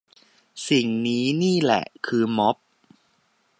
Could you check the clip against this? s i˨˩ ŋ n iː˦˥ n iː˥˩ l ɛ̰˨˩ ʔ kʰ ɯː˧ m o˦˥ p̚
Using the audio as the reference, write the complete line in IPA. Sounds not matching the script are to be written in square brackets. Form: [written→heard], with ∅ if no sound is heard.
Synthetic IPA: s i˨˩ ŋ n iː˦˥ n iː˥˩ l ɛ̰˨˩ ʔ kʰ ɯː˧ m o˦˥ p̚